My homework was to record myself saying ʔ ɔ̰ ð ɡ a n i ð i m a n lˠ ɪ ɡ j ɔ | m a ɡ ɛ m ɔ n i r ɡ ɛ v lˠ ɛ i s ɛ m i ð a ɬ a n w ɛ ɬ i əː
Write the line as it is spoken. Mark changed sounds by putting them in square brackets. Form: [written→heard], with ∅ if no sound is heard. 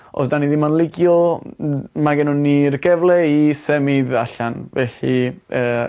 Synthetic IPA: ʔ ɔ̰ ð [ɡ→d] a n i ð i m a n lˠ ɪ ɡ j ɔ | m a ɡ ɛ [m→n] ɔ n i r ɡ ɛ v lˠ ɛ i s ɛ m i ð a ɬ a n [w→v] ɛ ɬ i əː